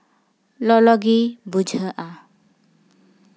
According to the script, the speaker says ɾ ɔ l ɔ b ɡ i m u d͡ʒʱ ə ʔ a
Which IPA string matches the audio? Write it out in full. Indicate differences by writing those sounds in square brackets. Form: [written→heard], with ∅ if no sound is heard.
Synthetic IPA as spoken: [ɾ→l] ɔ l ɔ [b→∅] ɡ i [m→b] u d͡ʒʱ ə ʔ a